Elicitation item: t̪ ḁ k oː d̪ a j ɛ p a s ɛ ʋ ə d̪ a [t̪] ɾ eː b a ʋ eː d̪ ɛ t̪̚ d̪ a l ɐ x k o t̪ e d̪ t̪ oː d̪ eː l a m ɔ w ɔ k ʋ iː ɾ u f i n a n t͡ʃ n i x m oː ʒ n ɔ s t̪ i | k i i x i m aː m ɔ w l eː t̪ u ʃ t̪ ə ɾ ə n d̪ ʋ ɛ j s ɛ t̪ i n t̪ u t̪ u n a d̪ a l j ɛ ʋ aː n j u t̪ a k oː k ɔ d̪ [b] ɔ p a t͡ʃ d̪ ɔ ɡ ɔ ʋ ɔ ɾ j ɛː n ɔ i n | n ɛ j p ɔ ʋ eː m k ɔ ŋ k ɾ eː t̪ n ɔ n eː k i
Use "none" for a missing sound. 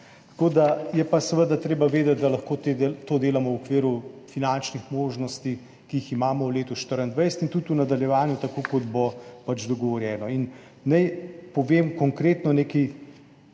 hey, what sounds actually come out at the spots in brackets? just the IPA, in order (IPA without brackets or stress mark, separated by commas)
t̪, b